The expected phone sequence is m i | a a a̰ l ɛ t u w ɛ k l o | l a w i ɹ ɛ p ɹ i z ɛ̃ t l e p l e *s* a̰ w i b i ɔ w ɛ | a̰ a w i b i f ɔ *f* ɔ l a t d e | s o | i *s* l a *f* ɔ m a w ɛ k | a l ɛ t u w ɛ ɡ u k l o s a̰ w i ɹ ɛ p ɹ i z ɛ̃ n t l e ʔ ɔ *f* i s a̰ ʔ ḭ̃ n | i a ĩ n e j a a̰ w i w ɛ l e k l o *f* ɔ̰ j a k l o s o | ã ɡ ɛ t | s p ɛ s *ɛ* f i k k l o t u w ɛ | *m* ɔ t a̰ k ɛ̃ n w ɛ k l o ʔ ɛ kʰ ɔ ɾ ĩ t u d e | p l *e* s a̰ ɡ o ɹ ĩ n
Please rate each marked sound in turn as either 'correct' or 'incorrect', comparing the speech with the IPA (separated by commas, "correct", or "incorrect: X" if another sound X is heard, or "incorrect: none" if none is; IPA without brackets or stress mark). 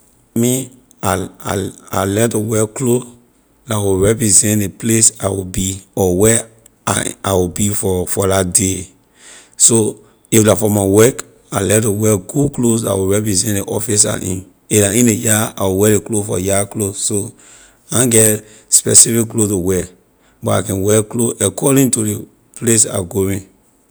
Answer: correct, correct, incorrect: f, correct, correct, correct, incorrect: i, incorrect: b, correct